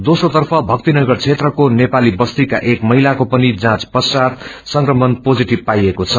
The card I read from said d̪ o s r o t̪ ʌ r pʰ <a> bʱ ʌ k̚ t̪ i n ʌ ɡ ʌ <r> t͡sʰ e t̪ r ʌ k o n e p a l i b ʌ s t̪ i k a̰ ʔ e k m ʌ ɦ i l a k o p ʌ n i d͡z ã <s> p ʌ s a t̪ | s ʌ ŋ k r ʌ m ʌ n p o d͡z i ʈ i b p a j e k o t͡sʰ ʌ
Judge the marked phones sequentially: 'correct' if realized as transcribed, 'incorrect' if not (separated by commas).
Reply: incorrect, correct, incorrect